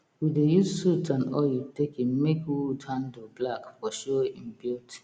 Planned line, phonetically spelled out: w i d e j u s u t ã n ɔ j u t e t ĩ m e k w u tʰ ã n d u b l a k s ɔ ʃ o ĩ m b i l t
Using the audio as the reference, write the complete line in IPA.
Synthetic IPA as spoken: w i d e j u s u t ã n ɔ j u t e k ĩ m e k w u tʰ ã n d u b l a k f ɔ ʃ o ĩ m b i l t